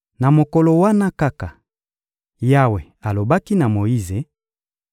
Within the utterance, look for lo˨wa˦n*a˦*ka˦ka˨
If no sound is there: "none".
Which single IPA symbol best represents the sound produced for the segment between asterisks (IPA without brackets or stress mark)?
a˦